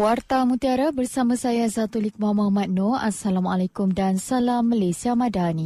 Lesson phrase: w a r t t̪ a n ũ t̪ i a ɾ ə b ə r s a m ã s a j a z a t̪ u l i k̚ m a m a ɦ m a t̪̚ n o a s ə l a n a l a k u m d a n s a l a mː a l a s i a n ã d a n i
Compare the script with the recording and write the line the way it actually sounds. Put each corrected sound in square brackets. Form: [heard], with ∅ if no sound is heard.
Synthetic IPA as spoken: w a r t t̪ a [m] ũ t̪ i a ɾ [a] b ə r s a m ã s a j a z a t̪ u l i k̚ m a m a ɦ m a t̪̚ n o a s [a] l a [m] a l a k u m d a n s a l a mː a l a s i a [m] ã d a n i